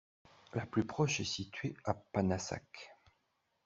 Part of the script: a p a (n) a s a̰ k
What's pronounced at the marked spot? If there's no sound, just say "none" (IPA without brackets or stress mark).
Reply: n